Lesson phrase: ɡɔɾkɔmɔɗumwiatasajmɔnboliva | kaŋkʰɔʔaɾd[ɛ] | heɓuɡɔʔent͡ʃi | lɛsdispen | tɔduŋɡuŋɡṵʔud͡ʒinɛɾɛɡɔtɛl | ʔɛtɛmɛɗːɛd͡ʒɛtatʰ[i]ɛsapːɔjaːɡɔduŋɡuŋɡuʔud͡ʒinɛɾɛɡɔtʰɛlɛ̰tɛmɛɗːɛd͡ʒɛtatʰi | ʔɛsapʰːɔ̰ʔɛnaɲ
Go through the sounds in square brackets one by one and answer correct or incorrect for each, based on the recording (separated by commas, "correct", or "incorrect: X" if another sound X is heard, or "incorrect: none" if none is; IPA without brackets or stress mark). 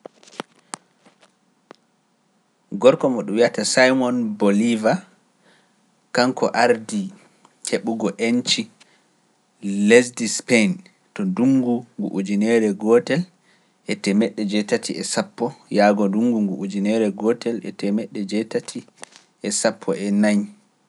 incorrect: i, correct